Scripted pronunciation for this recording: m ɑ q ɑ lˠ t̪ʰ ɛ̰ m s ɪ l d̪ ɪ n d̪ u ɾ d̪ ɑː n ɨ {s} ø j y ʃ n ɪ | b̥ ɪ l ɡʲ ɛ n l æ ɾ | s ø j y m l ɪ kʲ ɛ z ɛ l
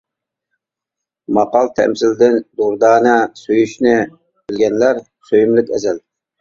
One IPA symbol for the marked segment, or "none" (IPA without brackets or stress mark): s